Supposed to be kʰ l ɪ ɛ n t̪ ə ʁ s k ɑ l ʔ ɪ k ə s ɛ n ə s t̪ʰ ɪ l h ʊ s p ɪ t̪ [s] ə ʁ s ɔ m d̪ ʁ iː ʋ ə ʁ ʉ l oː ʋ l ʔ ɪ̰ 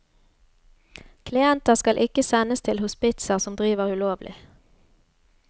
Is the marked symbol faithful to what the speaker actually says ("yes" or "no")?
yes